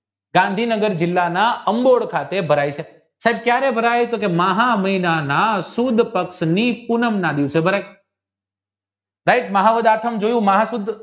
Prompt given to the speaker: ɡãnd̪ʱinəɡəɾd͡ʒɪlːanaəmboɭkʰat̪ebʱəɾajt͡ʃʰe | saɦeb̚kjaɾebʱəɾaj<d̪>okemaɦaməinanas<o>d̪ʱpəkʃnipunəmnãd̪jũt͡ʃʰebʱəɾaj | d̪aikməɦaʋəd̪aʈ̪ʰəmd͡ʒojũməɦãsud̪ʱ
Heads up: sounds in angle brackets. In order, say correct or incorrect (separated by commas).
incorrect, incorrect